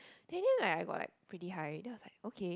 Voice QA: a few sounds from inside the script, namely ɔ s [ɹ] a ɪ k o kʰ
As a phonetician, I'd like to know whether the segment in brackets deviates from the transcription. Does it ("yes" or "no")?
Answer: yes